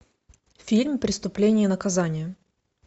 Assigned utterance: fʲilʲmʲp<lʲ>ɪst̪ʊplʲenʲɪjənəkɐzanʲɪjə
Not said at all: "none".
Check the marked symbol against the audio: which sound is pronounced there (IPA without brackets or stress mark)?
ɾʲ